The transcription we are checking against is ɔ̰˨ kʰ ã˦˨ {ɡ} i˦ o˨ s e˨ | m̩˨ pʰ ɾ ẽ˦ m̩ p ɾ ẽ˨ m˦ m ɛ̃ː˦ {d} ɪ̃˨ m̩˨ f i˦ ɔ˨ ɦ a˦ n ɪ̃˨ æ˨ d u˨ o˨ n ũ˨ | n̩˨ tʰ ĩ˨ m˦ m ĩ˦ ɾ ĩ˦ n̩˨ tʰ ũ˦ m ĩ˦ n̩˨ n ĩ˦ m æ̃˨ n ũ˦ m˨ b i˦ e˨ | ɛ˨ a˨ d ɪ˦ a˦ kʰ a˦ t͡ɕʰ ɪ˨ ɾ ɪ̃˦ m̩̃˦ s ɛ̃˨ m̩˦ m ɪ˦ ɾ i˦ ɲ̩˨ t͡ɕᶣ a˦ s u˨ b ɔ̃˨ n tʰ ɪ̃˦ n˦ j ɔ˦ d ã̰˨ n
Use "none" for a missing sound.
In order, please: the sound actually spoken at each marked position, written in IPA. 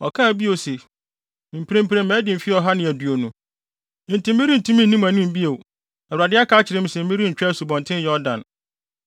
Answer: b, d

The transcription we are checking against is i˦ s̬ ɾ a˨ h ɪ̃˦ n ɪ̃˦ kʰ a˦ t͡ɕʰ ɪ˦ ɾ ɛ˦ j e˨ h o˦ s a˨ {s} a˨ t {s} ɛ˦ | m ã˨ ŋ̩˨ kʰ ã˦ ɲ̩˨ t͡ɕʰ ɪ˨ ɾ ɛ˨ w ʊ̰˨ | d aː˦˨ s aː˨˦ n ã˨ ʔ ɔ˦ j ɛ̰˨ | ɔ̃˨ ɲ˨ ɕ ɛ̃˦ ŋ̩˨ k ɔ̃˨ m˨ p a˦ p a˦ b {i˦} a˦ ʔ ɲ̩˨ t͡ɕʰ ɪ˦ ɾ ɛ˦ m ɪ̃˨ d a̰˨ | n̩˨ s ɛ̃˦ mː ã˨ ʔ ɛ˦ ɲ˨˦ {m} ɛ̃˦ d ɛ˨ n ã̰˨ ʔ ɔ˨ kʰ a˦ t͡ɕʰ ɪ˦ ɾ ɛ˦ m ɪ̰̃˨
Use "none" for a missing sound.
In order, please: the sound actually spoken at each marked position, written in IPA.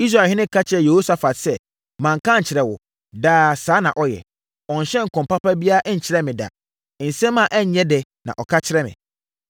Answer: f, s, i˦, ɲ

